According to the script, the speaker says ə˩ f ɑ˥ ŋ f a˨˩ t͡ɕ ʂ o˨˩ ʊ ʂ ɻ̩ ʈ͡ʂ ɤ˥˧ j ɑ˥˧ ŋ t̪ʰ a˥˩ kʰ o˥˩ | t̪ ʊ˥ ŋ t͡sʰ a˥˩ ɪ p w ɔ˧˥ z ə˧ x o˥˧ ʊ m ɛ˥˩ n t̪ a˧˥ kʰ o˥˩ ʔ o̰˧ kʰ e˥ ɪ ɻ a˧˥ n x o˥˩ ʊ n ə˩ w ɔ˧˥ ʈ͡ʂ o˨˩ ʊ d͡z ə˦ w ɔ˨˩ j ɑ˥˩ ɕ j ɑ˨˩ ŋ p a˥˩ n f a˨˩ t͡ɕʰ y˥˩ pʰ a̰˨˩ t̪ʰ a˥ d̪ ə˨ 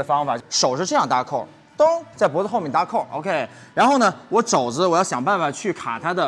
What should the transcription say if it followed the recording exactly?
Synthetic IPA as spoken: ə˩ f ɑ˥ ŋ f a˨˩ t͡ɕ ʂ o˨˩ ʊ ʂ ɻ̩ ʈ͡ʂ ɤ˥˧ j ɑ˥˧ ŋ t̪ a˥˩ kʰ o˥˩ | t̪ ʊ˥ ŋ t͡s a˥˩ ɪ p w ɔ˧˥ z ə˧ x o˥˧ ʊ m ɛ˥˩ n t̪ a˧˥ kʰ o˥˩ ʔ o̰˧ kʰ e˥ ɪ ɻ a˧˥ n x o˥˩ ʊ n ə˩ w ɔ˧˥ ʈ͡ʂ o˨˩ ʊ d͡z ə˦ w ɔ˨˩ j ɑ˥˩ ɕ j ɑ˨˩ ŋ p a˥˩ n f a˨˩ t͡ɕʰ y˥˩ kʰ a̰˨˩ t̪ʰ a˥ d̪ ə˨